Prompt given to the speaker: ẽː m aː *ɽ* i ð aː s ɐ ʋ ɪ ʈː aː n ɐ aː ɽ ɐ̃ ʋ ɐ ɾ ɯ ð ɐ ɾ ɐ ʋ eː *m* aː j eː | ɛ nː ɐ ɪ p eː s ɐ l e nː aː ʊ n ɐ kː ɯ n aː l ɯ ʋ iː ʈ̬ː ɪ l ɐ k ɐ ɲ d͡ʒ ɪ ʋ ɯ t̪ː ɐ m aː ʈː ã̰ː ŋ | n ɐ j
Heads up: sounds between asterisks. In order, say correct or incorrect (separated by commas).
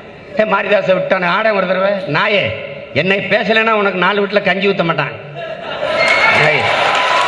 incorrect, incorrect